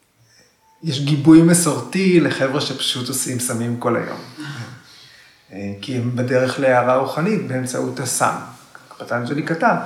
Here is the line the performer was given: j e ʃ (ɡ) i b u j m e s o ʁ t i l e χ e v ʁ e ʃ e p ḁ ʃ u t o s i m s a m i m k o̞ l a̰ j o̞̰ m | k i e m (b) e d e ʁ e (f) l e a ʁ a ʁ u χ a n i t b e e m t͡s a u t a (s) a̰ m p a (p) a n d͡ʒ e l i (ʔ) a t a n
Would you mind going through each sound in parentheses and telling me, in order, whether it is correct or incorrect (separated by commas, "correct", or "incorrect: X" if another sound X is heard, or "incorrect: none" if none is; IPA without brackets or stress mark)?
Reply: correct, correct, incorrect: χ, correct, incorrect: t, incorrect: k